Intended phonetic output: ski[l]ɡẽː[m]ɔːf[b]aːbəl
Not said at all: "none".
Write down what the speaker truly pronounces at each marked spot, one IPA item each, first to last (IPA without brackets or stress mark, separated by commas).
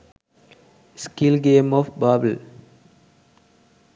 l, m, b